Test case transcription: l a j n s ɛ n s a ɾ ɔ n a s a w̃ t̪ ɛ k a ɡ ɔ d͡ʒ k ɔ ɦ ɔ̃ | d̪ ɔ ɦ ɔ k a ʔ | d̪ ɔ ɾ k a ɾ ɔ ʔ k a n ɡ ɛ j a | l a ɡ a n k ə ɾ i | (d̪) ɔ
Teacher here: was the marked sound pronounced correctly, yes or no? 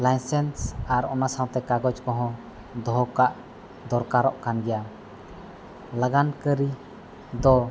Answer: yes